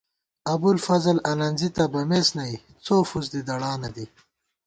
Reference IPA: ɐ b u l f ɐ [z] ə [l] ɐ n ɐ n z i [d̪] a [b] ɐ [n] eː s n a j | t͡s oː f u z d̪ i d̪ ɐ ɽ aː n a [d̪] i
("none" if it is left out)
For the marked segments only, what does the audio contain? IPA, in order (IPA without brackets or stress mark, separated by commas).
z, l, t̪, b, m, d̪